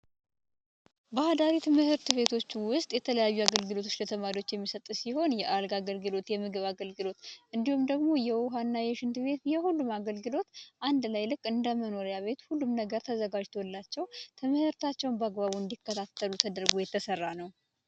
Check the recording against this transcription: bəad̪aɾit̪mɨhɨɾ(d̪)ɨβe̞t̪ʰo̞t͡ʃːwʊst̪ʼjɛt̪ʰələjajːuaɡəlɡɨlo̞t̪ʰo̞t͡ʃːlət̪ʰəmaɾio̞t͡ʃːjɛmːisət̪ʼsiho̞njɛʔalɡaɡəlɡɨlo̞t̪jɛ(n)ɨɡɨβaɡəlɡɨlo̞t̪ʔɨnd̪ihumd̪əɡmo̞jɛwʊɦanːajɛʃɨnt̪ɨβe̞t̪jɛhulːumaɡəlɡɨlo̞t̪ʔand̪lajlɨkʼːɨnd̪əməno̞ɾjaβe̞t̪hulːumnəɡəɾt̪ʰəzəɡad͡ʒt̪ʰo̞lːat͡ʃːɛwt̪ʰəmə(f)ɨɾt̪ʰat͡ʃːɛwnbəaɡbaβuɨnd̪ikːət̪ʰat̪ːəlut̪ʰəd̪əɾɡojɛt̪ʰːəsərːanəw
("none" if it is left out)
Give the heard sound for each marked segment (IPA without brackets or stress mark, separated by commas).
t̪, m, h